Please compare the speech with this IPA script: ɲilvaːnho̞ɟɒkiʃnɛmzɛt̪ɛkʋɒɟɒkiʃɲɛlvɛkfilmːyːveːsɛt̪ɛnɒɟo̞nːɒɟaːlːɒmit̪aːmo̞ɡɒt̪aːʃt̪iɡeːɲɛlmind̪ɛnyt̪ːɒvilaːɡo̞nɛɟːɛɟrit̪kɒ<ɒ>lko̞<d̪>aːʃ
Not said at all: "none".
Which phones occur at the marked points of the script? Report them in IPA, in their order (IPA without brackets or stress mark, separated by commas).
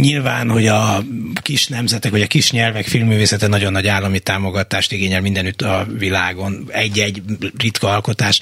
ɒ, t̪